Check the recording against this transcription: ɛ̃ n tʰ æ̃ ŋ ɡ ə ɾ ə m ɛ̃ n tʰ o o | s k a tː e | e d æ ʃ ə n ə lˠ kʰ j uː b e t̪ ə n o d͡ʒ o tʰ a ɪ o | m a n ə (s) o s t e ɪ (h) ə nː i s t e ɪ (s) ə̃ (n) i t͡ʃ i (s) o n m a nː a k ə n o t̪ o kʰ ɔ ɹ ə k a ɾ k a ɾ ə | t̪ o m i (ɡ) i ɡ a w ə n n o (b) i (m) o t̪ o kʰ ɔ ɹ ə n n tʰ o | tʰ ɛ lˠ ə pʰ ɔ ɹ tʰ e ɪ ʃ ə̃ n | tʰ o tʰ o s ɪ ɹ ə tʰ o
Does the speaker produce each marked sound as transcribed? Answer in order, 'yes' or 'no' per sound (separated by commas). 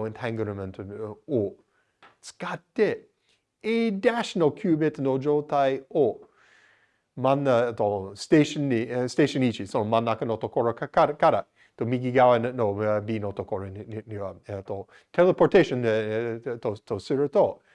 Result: no, no, no, yes, yes, yes, yes, no